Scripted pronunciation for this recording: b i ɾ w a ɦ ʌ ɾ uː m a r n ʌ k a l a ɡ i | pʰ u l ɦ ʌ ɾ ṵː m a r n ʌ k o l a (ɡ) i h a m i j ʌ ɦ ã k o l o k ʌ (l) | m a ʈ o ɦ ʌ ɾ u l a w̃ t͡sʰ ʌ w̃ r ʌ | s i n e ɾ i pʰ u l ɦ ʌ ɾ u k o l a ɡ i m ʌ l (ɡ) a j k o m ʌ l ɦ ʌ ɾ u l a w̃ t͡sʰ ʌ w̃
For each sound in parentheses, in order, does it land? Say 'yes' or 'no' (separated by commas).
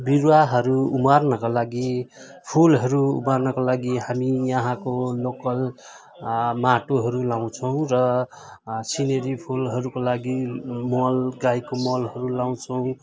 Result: yes, yes, yes